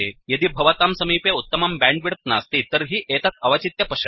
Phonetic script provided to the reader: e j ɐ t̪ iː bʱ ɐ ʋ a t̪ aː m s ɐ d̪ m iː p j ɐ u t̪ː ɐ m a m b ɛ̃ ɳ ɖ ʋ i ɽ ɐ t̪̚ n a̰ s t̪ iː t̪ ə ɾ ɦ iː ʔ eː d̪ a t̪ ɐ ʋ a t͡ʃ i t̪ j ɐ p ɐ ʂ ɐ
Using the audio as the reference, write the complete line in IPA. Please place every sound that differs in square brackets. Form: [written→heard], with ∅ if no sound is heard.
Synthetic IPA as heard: e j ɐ [t̪→d̪] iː bʱ ɐ ʋ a t̪ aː m s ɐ [d̪→∅] m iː p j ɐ u t̪ː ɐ m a m b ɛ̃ ɳ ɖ ʋ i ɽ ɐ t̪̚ n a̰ s t̪ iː t̪ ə ɾ ɦ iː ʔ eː [d̪→t̪] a t̪ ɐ ʋ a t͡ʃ i t̪ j ɐ p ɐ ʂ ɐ